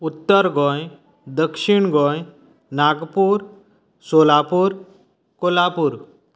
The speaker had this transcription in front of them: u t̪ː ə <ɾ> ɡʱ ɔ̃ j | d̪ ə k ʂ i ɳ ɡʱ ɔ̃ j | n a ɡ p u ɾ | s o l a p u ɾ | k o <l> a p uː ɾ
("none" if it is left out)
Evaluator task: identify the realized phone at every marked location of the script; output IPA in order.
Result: ɾ, l

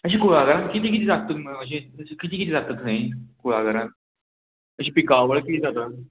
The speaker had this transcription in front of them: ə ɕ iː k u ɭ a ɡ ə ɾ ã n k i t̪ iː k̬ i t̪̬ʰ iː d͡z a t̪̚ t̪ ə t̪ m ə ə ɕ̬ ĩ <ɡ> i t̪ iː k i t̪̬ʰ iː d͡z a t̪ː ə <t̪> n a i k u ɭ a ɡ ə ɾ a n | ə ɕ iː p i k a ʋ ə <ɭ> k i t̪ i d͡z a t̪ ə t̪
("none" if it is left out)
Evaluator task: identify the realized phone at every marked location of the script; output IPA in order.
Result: k, t̪, ɭ

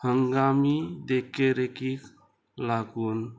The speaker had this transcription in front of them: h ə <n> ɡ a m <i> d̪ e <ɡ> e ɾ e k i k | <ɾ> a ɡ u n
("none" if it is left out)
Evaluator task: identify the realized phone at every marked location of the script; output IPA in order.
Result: ŋ, i, k, l

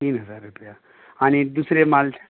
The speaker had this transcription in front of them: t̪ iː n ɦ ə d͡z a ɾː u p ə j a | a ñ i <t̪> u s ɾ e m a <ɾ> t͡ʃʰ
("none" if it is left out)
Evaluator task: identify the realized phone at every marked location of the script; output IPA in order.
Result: d̪, l

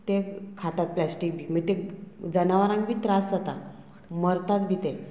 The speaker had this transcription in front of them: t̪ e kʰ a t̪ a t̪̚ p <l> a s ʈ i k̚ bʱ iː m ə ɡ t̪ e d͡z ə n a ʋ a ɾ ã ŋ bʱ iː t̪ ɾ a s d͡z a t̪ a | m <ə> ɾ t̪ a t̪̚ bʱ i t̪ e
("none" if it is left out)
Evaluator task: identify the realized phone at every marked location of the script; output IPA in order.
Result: l, ə

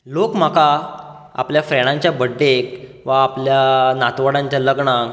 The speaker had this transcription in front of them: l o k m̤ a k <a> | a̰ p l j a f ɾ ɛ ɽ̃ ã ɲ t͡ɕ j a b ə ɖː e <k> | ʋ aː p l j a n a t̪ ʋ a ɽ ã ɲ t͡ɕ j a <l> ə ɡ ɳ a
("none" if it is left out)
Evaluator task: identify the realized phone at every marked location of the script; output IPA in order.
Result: a, k, l

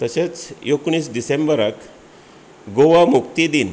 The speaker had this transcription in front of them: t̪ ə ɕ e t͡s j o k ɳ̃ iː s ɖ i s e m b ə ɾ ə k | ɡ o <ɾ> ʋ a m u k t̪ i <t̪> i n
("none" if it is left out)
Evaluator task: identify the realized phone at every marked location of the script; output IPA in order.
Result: none, d̪

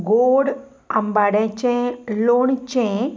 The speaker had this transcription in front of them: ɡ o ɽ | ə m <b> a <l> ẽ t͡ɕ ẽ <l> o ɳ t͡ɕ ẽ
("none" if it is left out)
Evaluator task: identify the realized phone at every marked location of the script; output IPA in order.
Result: b, ɽ, l

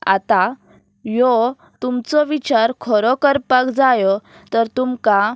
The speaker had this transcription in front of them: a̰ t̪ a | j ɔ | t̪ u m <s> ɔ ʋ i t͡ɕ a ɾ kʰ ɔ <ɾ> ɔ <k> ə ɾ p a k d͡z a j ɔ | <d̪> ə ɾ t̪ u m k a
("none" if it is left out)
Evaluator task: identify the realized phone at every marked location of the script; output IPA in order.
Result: t͡s, ɾ, k, t̪

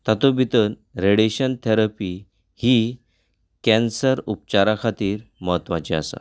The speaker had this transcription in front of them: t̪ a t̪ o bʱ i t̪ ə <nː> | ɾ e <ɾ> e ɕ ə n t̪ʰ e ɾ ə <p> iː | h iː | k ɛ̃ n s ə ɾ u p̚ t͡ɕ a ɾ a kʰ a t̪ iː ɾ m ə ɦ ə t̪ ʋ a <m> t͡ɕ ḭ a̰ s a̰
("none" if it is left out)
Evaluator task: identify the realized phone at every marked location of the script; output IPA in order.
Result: n, ɽ, p, none

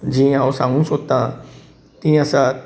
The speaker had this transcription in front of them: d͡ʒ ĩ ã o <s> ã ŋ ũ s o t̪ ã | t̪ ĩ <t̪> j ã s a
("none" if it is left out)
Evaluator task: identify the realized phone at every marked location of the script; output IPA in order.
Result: s, none

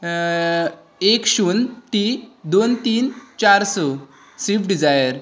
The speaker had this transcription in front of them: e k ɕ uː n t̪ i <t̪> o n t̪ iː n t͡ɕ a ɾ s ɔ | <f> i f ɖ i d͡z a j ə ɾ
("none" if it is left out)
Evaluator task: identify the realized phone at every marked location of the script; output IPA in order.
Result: d̪, s

